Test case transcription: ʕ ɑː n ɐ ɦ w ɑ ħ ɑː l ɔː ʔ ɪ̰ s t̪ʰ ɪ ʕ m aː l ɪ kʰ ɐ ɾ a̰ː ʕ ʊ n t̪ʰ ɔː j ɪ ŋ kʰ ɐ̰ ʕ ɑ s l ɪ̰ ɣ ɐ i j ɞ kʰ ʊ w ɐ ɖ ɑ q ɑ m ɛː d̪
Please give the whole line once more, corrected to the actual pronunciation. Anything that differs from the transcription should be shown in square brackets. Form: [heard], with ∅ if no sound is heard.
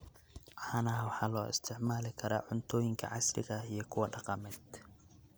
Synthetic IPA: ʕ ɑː n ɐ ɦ w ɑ ħ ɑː l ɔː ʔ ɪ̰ s t̪ʰ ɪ ʕ m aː l ɪ kʰ ɐ ɾ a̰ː ʕ ʊ n t̪ʰ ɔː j ɪ ŋ kʰ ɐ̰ ʕ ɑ s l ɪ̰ ɣ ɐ i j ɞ kʰ ʊ w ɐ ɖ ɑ q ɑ m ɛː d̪

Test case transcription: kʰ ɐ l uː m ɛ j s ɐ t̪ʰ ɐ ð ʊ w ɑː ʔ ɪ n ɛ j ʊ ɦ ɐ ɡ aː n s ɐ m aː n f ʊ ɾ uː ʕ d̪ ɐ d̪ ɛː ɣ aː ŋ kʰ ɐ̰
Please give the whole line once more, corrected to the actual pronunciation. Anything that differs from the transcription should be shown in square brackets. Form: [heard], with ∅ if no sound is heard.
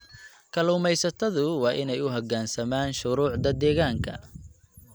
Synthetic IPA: kʰ ɐ l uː m ɛ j s ɐ t̪ʰ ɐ ð ʊ w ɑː ʔ ɪ n ɛ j ʊ ɦ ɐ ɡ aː n s ɐ m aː n [ʃ] ʊ ɾ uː ʕ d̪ ɐ d̪ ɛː ɣ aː ŋ kʰ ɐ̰

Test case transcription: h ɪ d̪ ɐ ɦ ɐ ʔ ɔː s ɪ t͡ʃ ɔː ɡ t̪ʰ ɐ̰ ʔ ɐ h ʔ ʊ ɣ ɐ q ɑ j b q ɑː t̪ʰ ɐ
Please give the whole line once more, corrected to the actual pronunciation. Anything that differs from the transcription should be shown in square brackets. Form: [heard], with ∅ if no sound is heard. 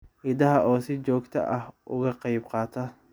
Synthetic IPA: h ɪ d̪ ɐ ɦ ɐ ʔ ɔː s ɪ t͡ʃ ɔː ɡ t̪ʰ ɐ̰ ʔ ɐ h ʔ ʊ ɣ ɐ q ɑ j b q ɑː t̪ʰ ɐ

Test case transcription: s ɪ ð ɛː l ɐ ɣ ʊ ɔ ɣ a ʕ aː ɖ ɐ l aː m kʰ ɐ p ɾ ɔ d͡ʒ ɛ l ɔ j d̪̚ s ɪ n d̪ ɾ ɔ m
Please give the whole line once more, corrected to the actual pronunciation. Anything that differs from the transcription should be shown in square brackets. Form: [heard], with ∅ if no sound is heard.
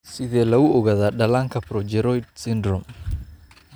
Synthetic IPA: s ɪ ð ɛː l ɐ ɣ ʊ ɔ ɣ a [ð] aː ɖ ɐ l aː [ŋ] kʰ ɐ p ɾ ɔ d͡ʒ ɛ [ɾ] ɔ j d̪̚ s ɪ n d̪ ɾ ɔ m

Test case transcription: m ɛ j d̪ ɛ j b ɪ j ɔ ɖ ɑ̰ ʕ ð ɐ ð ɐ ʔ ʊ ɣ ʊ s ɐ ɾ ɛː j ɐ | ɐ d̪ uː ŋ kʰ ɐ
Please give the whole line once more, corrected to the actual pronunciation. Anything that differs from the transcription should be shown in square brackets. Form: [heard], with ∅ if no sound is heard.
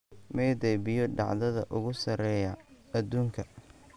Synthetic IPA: m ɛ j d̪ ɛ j b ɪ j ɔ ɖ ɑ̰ ʕ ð ɐ ð ɐ ʔ ʊ ɣ ʊ s ɐ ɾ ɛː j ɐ | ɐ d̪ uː ŋ kʰ ɐ

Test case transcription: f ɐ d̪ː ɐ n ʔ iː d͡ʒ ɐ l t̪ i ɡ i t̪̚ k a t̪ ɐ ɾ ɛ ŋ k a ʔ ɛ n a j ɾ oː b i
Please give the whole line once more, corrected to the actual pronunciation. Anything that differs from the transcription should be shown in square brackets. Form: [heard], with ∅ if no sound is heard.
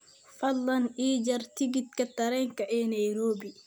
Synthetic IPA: f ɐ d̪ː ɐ n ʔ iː d͡ʒ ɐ [ɾ] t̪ i ɡ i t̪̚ k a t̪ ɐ ɾ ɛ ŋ k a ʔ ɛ n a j ɾ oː b i

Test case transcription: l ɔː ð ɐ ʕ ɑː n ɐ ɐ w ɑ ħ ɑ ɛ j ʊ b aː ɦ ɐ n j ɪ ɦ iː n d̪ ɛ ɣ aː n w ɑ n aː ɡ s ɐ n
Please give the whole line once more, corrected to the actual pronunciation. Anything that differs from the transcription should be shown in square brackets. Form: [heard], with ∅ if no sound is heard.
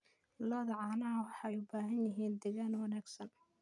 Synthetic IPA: l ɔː ð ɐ ʕ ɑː n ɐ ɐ w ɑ ħ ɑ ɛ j ʊ b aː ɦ ɐ n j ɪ ɦ iː n d̪ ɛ ɣ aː n w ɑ n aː ɡ s ɐ n

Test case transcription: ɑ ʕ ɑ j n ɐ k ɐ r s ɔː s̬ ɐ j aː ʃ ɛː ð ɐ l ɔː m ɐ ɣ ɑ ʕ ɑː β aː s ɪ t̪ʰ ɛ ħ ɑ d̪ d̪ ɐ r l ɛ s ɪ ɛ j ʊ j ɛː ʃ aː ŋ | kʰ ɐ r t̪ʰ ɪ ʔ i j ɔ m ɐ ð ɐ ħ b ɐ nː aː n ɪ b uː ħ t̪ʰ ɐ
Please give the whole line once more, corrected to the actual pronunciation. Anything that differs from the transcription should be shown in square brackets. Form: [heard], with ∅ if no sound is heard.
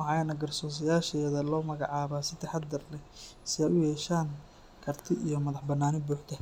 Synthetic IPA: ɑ ʕ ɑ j n ɐ [ɡ] ɐ r s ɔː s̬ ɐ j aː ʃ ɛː ð ɐ l ɔː m ɐ ɣ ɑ ʕ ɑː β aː s ɪ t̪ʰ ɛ ħ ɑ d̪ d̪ ɐ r l ɛ s ɪ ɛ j ʊ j ɛː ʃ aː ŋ | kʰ ɐ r t̪ʰ ɪ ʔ i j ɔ m ɐ ð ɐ ħ b ɐ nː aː n ɪ b uː ħ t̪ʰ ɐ

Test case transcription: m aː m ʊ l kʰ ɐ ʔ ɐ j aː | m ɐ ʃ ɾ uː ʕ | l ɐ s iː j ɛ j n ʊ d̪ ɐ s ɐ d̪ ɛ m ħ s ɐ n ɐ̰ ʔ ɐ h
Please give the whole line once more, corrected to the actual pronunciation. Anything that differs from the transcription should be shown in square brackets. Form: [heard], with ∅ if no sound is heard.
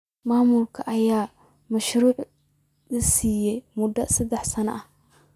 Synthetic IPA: m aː m ʊ l kʰ ɐ ʔ ɐ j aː | m ɐ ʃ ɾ uː ʕ | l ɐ s iː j ɛ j [m] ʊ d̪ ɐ s ɐ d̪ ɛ [∅] ħ s ɐ n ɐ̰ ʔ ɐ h

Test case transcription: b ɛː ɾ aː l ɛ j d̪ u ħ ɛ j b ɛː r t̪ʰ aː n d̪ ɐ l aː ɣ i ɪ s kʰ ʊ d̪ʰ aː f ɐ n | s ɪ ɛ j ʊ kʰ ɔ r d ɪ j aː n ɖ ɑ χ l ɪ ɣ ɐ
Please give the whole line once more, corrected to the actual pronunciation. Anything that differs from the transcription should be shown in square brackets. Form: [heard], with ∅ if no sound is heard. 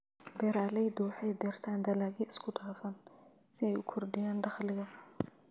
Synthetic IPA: b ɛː ɾ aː l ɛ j d̪ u ħ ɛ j b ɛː r t̪ʰ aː n d̪ ɐ l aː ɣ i ɪ s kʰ ʊ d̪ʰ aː f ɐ n | s ɪ ɛ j ʊ kʰ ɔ r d ɪ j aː n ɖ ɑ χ l ɪ ɣ ɐ

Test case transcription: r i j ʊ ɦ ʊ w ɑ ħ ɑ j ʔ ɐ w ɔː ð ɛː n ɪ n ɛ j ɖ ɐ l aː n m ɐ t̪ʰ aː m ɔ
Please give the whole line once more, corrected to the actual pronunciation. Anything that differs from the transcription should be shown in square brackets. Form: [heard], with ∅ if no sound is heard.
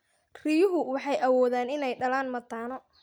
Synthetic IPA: r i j ʊ ɦ ʊ w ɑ ħ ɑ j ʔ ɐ w ɔː ð [aː] n ɪ n ɛ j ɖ ɐ l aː n m ɐ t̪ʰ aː [n] ɔ

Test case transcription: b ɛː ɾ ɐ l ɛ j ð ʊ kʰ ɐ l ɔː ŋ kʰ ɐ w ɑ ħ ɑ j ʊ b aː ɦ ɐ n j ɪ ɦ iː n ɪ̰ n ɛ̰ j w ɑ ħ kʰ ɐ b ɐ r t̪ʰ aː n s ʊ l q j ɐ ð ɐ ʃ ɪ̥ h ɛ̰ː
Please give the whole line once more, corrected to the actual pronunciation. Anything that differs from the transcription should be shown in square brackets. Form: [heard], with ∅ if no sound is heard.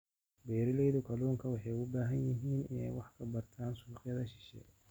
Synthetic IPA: b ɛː ɾ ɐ l ɛ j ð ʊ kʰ ɐ l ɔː ŋ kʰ ɐ w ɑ ħ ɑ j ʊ b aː ɦ ɐ n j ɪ ɦ iː n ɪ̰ n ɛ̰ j w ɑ ħ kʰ ɐ b ɐ r t̪ʰ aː n s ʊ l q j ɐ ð ɐ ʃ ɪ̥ [ʃ] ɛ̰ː

